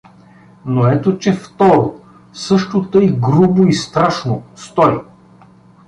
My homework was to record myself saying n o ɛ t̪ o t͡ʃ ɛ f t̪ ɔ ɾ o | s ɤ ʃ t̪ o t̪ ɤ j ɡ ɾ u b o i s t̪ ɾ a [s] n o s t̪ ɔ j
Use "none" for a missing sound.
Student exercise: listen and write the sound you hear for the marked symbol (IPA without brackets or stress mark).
ʃ